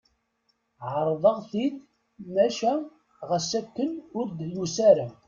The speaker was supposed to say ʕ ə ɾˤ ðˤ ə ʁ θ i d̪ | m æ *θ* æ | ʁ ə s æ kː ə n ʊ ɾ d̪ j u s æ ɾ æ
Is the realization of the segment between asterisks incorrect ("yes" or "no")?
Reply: yes